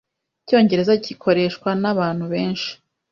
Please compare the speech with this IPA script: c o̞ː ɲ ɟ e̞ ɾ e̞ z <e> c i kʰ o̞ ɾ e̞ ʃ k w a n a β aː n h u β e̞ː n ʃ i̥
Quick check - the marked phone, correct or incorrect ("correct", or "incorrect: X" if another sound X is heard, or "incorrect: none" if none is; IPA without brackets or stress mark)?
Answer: incorrect: a